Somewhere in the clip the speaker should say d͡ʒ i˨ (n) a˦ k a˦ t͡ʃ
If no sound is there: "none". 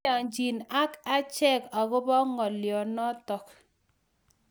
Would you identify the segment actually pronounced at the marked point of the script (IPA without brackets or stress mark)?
n